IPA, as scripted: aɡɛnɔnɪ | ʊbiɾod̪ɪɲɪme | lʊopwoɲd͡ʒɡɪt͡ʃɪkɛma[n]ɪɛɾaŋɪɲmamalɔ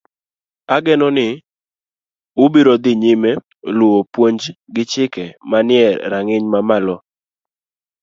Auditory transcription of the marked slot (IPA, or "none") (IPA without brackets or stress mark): n